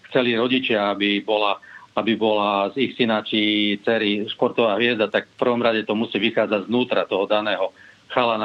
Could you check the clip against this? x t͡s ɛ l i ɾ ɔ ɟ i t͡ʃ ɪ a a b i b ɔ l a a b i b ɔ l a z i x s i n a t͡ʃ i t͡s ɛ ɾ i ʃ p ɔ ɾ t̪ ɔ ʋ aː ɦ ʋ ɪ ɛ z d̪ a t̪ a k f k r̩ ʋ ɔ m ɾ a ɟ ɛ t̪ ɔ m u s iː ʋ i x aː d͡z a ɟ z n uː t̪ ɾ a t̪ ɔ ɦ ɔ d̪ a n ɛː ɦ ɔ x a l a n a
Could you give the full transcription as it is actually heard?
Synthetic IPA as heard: x t͡s ɛ l i ɾ ɔ ɟ i t͡ʃ ɪ a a b i b ɔ l a a b i b ɔ l a z i x s i n a t͡ʃ i t͡s ɛ ɾ i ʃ p ɔ ɾ t̪ ɔ ʋ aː ɦ ʋ ɪ ɛ z d̪ a t̪ a k f p r̩ ʋ ɔ m ɾ a ɟ ɛ t̪ ɔ m u s iː ʋ i x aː d͡z a ɟ z n uː t̪ ɾ a t̪ ɔ ɦ ɔ d̪ a n ɛː ɦ ɔ x a l a n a